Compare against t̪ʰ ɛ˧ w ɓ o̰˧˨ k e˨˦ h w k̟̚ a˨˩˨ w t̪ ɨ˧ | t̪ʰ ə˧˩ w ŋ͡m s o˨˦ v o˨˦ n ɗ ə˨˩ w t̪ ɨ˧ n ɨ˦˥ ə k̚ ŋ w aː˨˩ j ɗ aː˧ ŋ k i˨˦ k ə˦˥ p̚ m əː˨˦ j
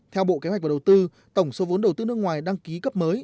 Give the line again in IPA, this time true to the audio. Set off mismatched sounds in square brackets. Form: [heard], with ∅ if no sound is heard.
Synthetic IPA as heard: t̪ʰ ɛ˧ w ɓ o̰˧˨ k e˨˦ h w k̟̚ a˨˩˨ w t̪ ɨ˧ | [t̪] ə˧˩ w ŋ͡m s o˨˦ v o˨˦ n ɗ ə˨˩ w t̪ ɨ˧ n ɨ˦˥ ə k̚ ŋ w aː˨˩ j ɗ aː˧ ŋ k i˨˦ k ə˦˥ p̚ m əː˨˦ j

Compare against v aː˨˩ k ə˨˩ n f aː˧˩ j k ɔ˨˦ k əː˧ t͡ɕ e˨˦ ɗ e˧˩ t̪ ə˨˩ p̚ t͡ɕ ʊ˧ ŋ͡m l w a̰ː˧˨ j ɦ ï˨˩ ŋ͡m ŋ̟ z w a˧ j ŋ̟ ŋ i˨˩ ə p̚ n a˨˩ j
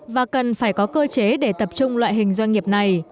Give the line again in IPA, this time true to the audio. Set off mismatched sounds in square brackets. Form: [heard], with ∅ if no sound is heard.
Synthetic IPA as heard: v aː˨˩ k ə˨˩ n f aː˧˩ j k ɔ˨˦ k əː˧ t͡ɕ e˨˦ ɗ e˧˩ t̪ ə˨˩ p̚ t͡ɕ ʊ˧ ŋ͡m l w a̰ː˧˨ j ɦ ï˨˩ [∅] ŋ̟ z w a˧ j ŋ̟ ŋ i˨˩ ə p̚ n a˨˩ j

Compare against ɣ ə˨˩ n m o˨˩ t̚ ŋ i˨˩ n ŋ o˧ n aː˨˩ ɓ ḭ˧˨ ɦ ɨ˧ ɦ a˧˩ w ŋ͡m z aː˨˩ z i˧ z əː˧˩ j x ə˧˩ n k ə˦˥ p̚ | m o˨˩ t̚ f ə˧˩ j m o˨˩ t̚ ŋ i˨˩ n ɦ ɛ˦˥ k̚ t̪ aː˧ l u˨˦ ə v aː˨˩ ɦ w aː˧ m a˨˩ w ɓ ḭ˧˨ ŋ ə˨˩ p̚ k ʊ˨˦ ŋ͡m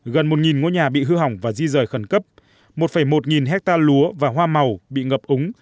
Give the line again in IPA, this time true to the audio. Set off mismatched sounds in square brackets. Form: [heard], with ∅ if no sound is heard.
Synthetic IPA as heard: ɣ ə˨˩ n m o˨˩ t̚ ŋ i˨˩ n ŋ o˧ [ɲ] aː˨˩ ɓ ḭ˧˨ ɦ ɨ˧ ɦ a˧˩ w ŋ͡m [v] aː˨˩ z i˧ z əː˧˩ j x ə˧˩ n k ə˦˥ p̚ | m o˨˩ t̚ f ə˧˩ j m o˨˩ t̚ ŋ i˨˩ n ɦ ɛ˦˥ k̚ t̪ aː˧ l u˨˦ ə v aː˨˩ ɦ w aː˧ m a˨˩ w ɓ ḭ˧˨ ŋ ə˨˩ p̚ [ʔ] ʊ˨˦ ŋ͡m

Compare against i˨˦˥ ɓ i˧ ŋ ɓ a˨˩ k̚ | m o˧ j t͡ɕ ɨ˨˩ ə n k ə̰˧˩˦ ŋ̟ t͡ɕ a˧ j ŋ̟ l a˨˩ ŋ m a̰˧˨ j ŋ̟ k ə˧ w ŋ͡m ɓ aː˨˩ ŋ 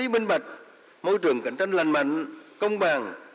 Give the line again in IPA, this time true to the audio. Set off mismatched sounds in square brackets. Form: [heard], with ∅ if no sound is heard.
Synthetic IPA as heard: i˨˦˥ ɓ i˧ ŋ ɓ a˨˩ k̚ | m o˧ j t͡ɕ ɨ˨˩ ə [ŋ] k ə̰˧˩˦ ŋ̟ t͡ɕ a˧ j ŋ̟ l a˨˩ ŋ m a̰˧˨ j ŋ̟ k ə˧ w ŋ͡m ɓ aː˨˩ ŋ

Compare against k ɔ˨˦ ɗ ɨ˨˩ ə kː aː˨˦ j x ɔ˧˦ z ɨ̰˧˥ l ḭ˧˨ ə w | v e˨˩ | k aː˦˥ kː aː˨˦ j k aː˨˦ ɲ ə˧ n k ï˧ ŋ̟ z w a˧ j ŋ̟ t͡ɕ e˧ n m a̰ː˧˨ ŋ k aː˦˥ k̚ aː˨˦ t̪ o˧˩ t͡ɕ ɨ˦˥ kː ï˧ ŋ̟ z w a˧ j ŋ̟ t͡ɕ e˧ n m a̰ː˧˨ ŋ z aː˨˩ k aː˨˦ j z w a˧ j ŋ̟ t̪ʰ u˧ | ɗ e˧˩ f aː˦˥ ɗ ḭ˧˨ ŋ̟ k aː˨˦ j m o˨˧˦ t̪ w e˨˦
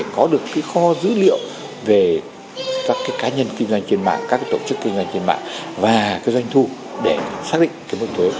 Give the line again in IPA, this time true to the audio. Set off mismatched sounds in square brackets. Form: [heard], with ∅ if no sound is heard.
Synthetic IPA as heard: k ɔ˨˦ ɗ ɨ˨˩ ə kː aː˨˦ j x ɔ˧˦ z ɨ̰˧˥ l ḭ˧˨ ə w | v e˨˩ | k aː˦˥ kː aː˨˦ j k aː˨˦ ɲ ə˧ n k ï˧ ŋ̟ z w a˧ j ŋ̟ t͡ɕ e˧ n m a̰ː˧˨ ŋ k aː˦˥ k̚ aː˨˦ t̪ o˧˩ t͡ɕ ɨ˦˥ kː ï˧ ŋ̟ z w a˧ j ŋ̟ t͡ɕ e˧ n m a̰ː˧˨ ŋ [v] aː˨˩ k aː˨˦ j z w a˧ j ŋ̟ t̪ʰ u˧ | ɗ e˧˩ [s] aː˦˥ ɗ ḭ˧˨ ŋ̟ k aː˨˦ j m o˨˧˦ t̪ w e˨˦

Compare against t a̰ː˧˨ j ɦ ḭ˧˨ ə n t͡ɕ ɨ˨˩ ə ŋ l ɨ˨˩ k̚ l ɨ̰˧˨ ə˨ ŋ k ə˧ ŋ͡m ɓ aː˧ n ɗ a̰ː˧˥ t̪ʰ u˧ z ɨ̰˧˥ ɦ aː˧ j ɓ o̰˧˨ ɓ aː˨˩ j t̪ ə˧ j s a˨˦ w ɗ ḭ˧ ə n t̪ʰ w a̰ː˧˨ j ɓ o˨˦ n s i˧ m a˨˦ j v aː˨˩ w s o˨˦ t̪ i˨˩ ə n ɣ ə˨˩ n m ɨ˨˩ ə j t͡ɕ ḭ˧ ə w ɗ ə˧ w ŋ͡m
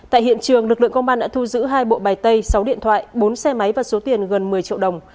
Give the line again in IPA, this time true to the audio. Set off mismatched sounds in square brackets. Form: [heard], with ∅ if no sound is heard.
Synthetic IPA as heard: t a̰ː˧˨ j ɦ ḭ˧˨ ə n t͡ɕ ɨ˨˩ ə ŋ l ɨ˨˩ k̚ l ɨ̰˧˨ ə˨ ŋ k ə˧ ŋ͡m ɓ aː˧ n ɗ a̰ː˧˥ t̪ʰ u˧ z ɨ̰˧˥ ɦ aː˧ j ɓ o̰˧˨ ɓ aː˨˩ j t̪ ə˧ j s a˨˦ w ɗ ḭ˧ ə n t̪ʰ w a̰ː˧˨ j ɓ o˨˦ n s [ɛ˧] m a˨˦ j v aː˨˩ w s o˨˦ t̪ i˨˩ ə n ɣ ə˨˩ n m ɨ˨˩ ə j t͡ɕ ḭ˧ ə w ɗ [ə˨˩] w ŋ͡m

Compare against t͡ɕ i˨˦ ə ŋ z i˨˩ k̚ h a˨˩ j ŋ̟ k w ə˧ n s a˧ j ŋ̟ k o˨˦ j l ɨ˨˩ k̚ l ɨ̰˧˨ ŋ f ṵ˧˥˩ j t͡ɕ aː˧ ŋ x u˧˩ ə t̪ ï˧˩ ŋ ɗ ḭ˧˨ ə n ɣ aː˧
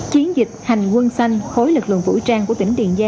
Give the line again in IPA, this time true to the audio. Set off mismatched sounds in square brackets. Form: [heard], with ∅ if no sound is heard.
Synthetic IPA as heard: t͡ɕ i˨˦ ə [n] z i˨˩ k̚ h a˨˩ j ŋ̟ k w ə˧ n s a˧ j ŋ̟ [x] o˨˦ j l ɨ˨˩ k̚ l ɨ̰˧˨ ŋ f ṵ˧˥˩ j t͡ɕ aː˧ ŋ [k] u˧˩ ə t̪ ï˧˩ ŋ ɗ ḭ˧˨ ə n [z] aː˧

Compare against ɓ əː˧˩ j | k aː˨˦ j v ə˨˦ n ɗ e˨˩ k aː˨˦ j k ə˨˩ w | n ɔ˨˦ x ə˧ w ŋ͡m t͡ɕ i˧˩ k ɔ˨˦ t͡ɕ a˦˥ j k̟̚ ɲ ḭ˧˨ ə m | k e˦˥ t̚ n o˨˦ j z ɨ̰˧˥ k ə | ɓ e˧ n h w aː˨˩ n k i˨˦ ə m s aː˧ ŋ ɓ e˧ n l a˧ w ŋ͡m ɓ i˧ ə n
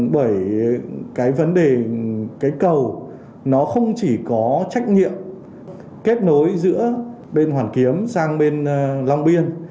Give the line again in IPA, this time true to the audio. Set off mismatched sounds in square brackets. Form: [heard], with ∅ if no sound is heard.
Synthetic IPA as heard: ɓ əː˧˩ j | k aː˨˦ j v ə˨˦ n ɗ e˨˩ k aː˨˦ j k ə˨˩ w | n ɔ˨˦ x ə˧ w ŋ͡m t͡ɕ i˧˩ k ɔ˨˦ t͡ɕ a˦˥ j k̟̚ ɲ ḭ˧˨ ə m | k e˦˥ t̚ n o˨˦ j z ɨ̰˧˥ [∅] ə | ɓ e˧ n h w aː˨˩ n k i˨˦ ə m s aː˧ ŋ ɓ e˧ n l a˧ w ŋ͡m ɓ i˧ ə n

